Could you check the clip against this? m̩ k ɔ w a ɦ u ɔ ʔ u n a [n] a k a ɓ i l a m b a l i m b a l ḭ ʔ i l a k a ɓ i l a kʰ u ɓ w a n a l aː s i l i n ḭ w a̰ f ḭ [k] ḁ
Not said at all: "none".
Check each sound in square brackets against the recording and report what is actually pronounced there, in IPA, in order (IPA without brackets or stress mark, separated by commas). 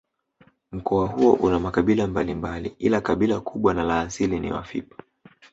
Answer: m, p